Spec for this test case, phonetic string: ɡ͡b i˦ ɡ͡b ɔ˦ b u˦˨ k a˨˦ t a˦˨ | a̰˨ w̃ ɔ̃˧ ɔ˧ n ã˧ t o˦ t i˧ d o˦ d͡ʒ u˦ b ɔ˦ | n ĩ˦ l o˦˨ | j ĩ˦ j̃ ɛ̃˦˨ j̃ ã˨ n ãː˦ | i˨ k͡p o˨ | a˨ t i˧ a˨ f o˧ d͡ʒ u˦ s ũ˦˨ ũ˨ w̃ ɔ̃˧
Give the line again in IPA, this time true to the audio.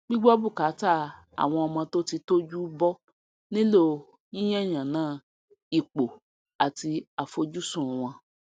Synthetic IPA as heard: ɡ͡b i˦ ɡ͡b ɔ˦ b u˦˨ k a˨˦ t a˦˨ | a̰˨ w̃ ɔ̃˧ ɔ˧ m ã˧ t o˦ t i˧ t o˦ d͡ʒ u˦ b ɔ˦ | n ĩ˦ l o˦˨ | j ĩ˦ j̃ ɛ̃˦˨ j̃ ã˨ n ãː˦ | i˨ k͡p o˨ | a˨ t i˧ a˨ f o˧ d͡ʒ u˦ s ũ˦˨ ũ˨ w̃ ɔ̃˧